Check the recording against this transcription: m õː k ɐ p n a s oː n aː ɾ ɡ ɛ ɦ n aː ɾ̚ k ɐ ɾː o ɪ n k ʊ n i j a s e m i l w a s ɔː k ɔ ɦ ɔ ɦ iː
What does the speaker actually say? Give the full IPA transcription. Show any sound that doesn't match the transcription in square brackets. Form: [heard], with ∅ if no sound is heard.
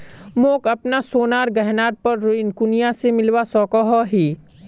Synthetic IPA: m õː k ɐ p n a s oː n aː ɾ ɡ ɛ ɦ n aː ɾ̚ [p] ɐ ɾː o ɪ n k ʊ n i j a s e m [ɪ] l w a s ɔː k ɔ ɦ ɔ ɦ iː